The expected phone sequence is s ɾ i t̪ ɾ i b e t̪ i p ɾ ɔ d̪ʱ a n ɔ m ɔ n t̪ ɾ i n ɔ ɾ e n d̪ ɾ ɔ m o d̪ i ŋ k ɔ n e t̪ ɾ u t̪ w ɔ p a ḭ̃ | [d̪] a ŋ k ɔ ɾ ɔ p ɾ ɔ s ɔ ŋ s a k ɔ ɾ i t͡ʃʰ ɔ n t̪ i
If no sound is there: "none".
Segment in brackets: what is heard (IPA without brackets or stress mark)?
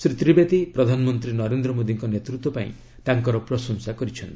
t̪